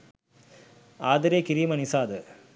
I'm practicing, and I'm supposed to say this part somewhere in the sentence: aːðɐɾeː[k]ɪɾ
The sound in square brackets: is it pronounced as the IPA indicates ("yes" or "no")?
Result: yes